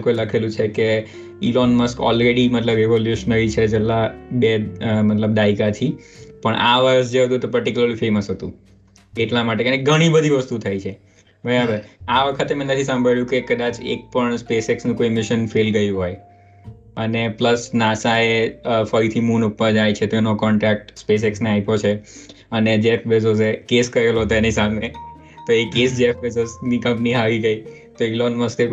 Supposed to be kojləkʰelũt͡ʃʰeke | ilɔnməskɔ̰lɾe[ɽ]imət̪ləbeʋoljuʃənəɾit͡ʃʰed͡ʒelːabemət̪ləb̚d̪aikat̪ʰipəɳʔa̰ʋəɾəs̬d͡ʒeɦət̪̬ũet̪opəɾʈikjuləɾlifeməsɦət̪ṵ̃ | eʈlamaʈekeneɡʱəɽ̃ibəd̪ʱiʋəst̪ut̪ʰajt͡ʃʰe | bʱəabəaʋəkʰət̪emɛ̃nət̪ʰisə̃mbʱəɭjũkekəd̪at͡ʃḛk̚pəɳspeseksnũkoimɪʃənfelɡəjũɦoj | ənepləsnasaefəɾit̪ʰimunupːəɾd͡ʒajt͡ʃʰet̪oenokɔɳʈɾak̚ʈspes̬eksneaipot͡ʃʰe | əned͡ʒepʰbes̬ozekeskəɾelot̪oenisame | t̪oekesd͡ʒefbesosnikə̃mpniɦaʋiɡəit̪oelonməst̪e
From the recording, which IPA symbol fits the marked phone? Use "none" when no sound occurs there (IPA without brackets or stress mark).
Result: ɽ